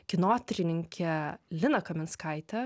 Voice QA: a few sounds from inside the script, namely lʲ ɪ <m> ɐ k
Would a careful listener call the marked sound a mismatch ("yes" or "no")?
yes